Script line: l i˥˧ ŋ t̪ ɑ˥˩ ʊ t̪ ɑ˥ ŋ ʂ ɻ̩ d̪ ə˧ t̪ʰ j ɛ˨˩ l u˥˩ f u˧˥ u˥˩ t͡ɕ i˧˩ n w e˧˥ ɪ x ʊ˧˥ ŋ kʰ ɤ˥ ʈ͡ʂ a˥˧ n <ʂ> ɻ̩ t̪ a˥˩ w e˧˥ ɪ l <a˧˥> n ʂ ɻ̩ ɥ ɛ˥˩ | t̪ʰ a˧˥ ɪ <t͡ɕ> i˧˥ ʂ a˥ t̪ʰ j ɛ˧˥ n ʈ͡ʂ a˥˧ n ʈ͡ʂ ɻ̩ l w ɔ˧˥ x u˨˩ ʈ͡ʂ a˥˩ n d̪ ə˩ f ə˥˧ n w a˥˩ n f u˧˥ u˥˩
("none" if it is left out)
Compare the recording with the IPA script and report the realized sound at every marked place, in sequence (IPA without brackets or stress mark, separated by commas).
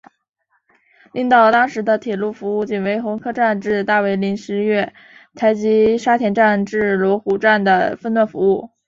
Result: ʈ͡ʂ, i˧˥, t͡ɕ